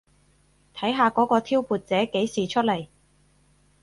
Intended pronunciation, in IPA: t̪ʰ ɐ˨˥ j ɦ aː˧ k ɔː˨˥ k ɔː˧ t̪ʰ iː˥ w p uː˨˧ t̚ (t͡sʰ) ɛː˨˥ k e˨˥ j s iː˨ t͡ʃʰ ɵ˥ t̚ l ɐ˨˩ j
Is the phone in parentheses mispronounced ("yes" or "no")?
yes